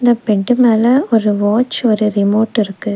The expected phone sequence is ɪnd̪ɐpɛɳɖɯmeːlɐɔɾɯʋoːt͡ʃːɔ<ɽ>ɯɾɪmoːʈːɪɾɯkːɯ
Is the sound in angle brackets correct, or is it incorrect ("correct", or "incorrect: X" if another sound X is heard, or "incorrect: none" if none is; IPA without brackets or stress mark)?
incorrect: ɾ